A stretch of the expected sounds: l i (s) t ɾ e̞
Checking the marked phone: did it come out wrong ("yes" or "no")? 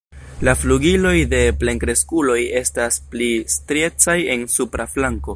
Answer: no